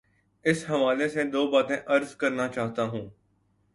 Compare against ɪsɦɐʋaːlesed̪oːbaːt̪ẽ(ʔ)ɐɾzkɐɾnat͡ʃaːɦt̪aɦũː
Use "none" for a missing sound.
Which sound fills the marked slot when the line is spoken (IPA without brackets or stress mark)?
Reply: ʔ